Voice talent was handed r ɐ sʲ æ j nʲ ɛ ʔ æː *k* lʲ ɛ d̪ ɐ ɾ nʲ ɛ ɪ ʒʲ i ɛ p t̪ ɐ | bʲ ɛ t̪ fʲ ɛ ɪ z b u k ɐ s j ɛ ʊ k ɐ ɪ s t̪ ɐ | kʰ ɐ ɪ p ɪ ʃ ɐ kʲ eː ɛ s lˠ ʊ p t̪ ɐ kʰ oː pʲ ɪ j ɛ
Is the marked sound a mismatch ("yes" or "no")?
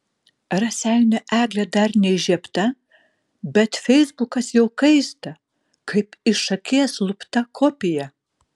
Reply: yes